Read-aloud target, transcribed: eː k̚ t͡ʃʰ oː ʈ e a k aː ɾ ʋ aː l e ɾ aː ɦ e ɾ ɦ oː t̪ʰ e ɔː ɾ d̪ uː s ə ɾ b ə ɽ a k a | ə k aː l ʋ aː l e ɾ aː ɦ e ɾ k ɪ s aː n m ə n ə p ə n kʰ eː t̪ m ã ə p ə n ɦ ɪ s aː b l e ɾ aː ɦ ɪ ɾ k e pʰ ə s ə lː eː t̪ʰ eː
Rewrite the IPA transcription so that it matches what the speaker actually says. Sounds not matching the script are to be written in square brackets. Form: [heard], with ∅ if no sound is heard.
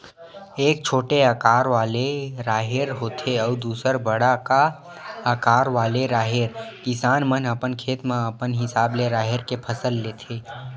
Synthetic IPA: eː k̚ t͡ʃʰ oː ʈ e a k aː ɾ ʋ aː l e ɾ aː ɦ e ɾ ɦ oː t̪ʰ e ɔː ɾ d̪ uː s ə ɾ b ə ɽ a k a | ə k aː [ɾ] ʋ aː l e ɾ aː ɦ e ɾ k ɪ s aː n m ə n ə p ə n kʰ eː t̪ m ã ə p ə n ɦ ɪ s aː b l e ɾ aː ɦ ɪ ɾ k e pʰ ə s ə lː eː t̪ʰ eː